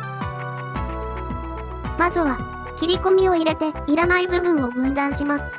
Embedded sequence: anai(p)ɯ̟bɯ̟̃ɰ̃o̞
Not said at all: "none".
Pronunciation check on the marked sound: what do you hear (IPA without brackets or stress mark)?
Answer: b